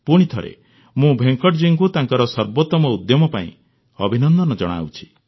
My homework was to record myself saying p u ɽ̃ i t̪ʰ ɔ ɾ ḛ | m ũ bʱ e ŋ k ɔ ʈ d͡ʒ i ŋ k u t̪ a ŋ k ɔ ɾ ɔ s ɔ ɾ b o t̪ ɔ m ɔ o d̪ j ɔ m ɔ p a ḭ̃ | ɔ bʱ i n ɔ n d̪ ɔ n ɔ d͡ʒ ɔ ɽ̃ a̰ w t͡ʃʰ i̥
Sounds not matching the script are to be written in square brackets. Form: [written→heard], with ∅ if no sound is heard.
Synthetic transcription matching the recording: p u ɽ̃ i t̪ʰ ɔ ɾ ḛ | m ũ bʱ e ŋ k ɔ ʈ d͡ʒ i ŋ k u t̪ a ŋ k ɔ ɾ ɔ s ɔ ɾ b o t̪ ɔ m ɔ [o→u] d̪ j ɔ m ɔ p a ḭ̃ | ɔ bʱ i n ɔ n d̪ ɔ n ɔ d͡ʒ ɔ ɽ̃ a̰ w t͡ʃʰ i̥